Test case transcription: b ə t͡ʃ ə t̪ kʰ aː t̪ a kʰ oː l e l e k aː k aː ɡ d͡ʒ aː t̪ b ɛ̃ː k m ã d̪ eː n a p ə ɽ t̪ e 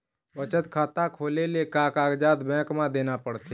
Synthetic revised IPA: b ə t͡ʃ ə t̪ kʰ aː t̪ a kʰ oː l e l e k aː k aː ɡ d͡ʒ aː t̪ b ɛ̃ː k m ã d̪ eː n a p ə ɽ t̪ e